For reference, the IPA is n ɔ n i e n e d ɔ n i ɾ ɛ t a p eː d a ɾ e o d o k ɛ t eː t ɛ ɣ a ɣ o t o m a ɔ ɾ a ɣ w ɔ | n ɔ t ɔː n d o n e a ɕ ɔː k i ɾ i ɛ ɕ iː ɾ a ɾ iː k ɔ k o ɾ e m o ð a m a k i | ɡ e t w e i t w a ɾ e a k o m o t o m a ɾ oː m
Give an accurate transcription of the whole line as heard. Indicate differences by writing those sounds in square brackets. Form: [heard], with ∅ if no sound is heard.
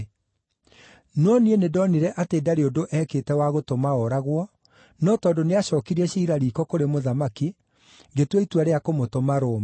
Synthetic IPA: n ɔ n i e n e d ɔ n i ɾ ɛ [ʔ] a [t] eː d a ɾ e o d o [ʔ] ɛ [k] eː t ɛ [w] a ɣ o t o m a ɔ ɾ a ɣ w ɔ | n ɔ t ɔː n d o n e a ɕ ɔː k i ɾ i ɛ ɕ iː ɾ a ɾ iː k ɔ k o ɾ e m o ð a m a k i | ɡ e t w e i t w a ɾ e a k o m o t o m a ɾ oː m